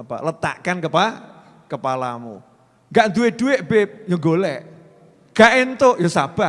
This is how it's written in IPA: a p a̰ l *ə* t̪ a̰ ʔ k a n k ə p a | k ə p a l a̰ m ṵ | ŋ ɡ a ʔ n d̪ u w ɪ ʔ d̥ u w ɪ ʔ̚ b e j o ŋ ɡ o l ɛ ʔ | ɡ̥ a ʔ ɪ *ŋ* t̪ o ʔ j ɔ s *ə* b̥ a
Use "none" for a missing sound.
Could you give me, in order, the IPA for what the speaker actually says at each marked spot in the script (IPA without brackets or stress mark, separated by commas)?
ə, n, a